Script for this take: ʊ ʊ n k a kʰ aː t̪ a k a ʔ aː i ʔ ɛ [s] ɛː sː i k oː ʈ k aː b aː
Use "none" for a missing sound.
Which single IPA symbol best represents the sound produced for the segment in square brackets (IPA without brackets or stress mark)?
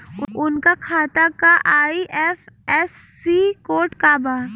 f